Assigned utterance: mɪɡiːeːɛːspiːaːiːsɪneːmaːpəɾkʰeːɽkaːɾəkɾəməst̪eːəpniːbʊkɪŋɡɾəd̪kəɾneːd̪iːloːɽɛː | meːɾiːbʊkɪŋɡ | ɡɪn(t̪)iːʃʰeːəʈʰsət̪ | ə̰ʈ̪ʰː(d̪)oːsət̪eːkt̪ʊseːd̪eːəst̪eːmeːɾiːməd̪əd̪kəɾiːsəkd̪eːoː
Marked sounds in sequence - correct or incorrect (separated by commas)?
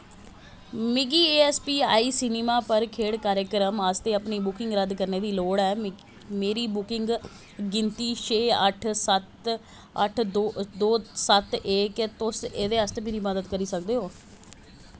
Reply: correct, correct